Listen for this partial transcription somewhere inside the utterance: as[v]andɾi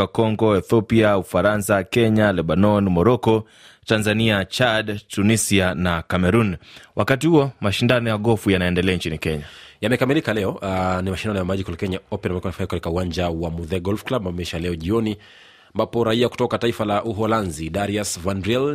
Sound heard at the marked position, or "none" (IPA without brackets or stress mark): v